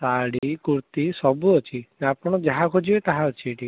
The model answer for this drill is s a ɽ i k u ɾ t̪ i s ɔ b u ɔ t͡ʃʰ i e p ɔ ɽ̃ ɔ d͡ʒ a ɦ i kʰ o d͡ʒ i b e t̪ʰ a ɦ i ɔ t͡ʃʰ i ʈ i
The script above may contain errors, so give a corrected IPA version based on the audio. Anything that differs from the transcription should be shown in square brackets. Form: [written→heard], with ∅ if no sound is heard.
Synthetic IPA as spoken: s a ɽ i k u ɾ t̪ i s ɔ b u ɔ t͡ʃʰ i [e→a] p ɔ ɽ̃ ɔ d͡ʒ a ɦ [i→a] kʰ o d͡ʒ i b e [t̪ʰ→t̪] a ɦ [i→a] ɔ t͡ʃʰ i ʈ i